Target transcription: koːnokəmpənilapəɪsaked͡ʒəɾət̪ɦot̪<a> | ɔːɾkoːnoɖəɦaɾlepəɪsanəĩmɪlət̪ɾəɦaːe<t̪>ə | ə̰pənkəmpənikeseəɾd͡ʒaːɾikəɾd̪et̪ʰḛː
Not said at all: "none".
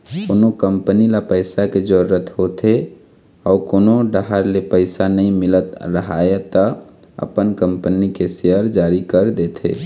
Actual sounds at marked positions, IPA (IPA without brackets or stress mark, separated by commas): e, t̪